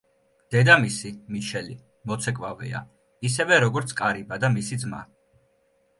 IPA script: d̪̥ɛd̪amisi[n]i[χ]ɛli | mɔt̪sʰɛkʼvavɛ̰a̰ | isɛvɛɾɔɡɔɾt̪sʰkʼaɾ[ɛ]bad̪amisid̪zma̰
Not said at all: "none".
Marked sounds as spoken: m, ʃ, i

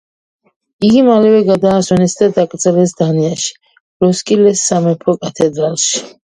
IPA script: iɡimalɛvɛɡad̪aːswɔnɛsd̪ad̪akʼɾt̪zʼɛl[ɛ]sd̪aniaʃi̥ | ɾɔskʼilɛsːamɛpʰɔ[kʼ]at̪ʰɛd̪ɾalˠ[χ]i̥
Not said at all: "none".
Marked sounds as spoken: ɛ, kʼ, ʃ

